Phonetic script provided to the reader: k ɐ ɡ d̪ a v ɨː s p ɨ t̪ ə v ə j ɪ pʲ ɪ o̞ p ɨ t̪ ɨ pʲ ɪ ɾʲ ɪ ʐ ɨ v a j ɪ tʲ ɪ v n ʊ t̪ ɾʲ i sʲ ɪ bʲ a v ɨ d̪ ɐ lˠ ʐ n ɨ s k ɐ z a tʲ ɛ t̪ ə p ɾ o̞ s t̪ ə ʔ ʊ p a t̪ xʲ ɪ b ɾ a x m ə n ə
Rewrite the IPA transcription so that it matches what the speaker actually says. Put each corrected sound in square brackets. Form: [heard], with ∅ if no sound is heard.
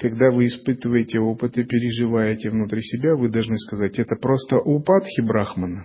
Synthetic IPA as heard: k ɐ ɡ d̪ a v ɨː s p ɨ t̪ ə v ə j ɪ [tʲ] ɪ o̞ p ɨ t̪ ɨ pʲ ɪ ɾʲ ɪ ʐ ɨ v a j ɪ tʲ ɪ v n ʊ t̪ ɾʲ i sʲ ɪ bʲ a v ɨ d̪ ɐ lˠ ʐ n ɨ s k ɐ z a tʲ ɛ t̪ ə p ɾ o̞ s t̪ ə ʔ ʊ p a t̪ xʲ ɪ b ɾ a x m ə n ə